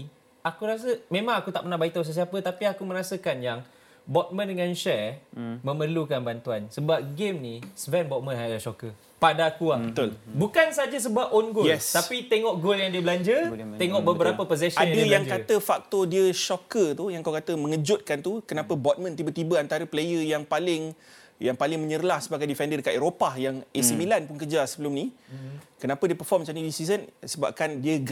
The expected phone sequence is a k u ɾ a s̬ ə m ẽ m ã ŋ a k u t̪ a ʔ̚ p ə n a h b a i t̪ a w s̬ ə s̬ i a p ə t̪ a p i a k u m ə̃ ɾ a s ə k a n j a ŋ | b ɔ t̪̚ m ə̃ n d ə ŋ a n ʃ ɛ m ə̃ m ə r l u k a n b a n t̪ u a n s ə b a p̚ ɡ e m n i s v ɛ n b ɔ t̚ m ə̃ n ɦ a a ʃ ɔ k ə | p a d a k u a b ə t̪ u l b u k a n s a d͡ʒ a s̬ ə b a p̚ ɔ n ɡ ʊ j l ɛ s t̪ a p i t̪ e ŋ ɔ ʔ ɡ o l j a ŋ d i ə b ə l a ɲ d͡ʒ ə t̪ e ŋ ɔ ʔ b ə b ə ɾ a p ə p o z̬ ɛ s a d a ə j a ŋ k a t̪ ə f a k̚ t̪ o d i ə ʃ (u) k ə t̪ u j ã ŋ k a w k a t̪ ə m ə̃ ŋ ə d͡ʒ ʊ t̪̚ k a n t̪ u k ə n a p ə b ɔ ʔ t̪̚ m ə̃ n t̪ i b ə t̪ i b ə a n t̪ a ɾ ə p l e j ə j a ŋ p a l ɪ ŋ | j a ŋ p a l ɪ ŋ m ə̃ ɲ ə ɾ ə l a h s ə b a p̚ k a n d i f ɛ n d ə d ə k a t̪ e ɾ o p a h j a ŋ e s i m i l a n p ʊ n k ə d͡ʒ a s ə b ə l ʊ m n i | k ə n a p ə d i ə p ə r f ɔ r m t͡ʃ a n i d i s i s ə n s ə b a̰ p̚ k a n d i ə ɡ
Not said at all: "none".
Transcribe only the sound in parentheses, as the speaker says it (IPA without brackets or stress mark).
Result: ɔ